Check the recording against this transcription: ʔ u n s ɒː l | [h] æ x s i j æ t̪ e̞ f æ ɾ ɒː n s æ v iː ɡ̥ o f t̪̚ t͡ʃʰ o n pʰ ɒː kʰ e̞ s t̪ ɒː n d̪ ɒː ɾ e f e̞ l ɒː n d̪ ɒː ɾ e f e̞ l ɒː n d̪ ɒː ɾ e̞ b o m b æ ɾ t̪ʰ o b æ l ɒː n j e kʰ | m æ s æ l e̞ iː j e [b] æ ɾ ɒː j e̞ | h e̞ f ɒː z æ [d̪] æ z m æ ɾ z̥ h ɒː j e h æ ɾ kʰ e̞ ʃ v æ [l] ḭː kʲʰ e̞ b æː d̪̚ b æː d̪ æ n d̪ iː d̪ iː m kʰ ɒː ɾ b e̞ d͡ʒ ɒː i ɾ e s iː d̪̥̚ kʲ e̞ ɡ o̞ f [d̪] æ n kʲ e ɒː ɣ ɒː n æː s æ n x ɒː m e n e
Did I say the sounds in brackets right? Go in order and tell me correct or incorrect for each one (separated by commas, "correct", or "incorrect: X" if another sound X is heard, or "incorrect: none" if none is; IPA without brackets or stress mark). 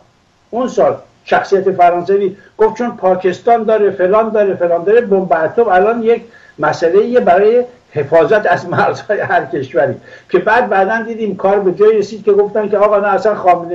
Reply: incorrect: ʃ, correct, incorrect: t̪, incorrect: ɾ, incorrect: t̪